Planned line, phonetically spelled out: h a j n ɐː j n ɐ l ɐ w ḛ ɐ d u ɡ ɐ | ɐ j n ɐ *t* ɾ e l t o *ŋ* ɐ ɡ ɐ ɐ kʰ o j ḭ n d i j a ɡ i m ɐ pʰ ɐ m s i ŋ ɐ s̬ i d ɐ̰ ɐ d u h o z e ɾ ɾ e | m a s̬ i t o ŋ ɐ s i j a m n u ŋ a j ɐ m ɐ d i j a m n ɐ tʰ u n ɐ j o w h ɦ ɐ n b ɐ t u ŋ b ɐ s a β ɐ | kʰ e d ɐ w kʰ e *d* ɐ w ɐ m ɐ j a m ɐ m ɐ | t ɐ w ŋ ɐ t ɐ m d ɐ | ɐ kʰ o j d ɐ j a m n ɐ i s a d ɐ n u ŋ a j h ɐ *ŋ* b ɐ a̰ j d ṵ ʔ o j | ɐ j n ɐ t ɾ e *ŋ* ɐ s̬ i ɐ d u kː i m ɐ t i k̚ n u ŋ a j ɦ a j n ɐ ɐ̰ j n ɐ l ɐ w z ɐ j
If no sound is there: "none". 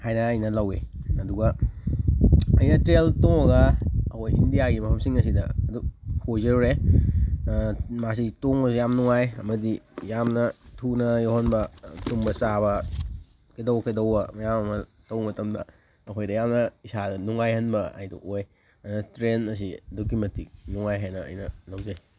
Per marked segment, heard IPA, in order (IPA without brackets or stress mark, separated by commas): t, ŋ, d, n, n